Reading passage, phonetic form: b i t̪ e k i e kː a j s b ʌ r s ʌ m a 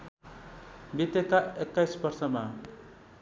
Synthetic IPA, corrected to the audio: b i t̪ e k a e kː a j s b ʌ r s ʌ m a